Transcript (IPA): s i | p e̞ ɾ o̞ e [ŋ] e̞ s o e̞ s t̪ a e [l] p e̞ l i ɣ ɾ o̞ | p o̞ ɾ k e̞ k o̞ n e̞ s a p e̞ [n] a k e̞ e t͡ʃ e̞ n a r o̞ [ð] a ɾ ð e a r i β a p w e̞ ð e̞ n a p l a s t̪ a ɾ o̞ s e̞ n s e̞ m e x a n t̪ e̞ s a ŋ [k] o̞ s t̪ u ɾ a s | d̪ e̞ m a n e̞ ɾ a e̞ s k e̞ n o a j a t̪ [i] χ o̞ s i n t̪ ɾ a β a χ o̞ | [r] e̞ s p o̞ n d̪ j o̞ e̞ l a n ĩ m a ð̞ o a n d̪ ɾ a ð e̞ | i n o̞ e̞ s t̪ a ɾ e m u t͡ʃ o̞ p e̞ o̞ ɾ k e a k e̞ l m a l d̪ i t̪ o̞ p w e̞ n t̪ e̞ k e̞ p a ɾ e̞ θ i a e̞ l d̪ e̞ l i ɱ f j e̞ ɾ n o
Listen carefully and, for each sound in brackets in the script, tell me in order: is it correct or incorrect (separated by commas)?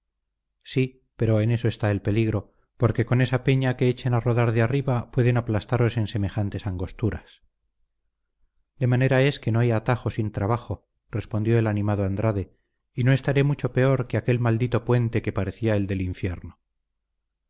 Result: incorrect, correct, incorrect, correct, incorrect, incorrect, correct